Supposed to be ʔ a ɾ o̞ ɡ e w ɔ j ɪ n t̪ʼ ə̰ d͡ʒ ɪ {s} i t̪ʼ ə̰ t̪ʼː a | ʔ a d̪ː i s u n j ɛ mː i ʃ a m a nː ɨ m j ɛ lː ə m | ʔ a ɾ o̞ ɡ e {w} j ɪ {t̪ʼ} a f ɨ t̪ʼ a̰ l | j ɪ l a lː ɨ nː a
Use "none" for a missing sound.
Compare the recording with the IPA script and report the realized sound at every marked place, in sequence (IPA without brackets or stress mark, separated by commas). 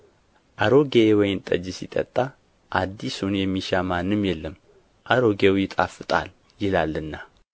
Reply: s, w, t̪ʼ